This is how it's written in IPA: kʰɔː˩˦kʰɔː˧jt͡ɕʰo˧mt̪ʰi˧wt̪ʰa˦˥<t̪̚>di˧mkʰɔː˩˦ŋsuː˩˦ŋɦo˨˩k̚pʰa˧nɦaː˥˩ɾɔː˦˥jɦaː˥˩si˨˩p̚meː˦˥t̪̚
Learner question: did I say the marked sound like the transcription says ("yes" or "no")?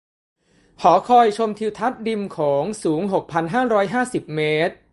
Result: yes